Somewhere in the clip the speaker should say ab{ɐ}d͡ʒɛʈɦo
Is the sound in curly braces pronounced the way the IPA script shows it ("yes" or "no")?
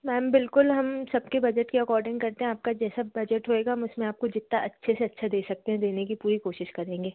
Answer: yes